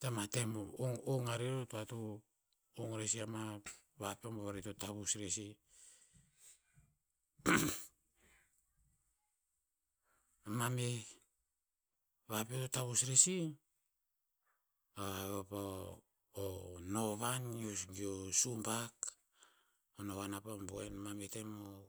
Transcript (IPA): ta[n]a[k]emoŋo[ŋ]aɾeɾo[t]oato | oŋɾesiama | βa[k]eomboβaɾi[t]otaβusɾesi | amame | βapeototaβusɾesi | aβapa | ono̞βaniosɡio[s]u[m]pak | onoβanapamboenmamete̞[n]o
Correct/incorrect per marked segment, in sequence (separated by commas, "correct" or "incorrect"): incorrect, incorrect, correct, correct, incorrect, correct, correct, correct, incorrect